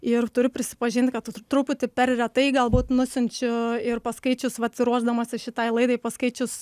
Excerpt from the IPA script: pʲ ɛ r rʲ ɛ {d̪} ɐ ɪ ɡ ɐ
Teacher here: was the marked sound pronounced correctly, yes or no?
no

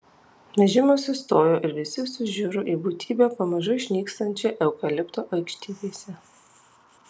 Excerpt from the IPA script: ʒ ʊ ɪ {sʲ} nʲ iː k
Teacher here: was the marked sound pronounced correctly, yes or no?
no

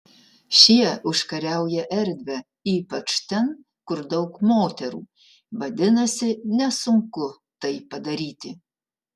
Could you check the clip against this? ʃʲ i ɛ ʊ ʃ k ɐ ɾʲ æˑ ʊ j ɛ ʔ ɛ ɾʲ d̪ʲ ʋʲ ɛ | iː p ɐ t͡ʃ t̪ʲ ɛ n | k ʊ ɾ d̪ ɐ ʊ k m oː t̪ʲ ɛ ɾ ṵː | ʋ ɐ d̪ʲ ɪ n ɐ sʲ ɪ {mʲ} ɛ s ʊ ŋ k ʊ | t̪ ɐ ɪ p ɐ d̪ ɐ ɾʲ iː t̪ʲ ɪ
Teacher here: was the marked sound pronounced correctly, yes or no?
no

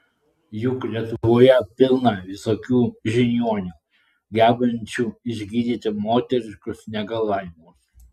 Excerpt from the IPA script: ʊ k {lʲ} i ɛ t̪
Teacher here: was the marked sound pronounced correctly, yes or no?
yes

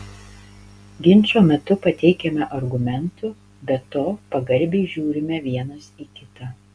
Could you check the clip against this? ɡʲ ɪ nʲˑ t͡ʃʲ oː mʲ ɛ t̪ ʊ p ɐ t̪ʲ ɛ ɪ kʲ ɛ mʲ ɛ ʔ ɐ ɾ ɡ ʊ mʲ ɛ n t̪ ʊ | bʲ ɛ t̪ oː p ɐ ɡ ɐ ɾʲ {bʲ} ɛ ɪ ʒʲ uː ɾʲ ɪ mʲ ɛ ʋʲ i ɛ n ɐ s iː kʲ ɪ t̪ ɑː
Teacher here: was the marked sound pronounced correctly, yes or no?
yes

